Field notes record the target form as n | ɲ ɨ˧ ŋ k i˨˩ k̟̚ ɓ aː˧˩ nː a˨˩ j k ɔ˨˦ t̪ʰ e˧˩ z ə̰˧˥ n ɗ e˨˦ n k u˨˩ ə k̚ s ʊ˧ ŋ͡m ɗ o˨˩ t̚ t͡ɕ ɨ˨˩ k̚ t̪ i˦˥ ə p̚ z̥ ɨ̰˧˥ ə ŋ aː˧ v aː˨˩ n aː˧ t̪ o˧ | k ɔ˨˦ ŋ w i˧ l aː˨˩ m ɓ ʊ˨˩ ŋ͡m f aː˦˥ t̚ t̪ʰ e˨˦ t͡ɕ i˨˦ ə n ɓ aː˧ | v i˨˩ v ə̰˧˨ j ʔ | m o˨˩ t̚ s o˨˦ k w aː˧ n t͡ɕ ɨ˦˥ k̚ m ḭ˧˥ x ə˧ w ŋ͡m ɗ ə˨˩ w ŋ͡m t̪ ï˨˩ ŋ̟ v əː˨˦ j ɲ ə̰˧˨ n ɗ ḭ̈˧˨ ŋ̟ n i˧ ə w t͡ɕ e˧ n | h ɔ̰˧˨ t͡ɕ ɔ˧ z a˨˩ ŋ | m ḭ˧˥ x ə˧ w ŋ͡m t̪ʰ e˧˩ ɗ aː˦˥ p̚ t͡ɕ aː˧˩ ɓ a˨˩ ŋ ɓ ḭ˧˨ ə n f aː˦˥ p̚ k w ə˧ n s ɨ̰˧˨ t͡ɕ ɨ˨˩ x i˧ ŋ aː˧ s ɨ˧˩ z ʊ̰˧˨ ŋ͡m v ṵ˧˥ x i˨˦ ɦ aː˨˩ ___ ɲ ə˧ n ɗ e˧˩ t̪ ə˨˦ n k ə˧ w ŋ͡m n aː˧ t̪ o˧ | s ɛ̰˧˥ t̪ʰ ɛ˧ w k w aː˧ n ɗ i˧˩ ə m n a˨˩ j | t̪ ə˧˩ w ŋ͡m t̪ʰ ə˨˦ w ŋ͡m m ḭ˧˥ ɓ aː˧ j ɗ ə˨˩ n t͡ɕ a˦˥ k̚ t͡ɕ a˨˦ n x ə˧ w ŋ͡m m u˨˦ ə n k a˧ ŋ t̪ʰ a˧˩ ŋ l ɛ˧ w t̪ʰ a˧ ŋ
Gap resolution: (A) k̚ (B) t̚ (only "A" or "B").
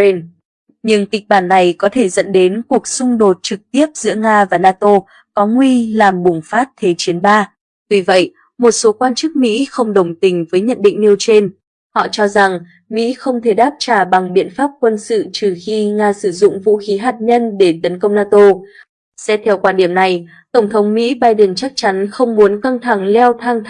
B